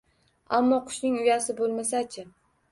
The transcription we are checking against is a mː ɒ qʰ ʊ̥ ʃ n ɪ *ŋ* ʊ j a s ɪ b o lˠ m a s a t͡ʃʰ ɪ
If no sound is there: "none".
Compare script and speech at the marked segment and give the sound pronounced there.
ŋ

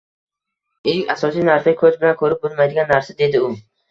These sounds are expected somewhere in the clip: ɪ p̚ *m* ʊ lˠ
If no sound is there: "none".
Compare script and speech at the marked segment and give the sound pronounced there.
b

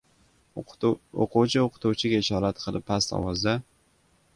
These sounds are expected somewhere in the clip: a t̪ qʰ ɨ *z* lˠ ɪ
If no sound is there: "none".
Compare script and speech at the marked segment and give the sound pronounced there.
none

